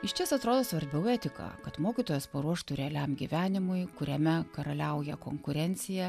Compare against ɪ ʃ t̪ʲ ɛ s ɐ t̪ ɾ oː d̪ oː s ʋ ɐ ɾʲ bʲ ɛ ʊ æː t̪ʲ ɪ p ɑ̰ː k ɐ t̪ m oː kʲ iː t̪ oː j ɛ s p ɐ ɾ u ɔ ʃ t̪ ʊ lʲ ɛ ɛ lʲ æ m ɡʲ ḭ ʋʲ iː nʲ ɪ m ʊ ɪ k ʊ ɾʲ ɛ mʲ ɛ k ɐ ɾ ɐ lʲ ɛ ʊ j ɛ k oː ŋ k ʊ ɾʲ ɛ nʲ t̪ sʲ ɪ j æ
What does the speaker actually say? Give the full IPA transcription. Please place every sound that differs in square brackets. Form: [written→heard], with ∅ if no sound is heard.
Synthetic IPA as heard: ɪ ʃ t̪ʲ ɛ s ɐ t̪ ɾ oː d̪ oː s ʋ ɐ ɾʲ bʲ ɛ ʊ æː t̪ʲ ɪ [p→k] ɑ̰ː k ɐ t̪ m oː kʲ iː t̪ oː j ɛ s p ɐ ɾ u ɔ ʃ t̪ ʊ [lʲ→ɾʲ] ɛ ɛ lʲ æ m ɡʲ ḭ ʋʲ [iː→æː] nʲ ɪ m ʊ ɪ k ʊ ɾʲ ɛ mʲ ɛ k ɐ ɾ ɐ lʲ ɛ ʊ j ɛ k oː ŋ k ʊ ɾʲ ɛ nʲ t̪ sʲ ɪ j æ